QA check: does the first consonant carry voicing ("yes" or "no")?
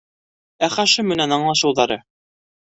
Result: no